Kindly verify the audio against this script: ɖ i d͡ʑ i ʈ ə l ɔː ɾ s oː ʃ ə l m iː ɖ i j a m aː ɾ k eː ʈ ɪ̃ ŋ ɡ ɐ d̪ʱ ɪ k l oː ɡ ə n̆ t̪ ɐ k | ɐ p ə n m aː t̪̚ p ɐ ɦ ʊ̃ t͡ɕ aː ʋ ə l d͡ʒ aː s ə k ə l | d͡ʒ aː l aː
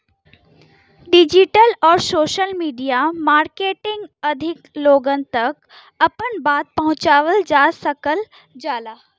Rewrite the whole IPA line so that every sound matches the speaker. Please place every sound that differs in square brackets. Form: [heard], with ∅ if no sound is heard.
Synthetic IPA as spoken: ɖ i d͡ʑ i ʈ ə l ɔː ɾ s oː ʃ ə l m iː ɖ i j a m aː ɾ k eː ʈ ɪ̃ ŋ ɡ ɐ d̪ʱ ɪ k l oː ɡ ə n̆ t̪ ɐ k | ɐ p ə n [b] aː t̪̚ p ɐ ɦ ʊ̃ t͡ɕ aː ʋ ə l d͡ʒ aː s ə k ə l | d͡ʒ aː l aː